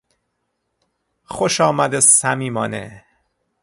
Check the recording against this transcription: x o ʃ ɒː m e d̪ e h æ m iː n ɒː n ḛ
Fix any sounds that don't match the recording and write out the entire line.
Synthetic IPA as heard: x o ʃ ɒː m æ d̪ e s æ m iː m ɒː n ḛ